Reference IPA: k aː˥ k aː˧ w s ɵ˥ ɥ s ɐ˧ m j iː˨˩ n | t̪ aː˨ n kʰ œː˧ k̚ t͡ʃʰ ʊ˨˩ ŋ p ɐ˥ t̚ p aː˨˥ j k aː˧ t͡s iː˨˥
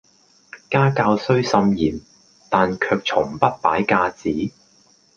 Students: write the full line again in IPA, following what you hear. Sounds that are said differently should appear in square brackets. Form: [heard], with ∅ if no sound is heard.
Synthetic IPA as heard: k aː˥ k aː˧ w s ɵ˥ ɥ s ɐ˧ m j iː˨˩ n | t̪ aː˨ n kʰ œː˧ k̚ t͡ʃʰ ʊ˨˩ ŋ p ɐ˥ t̚ p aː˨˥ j k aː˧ t͡s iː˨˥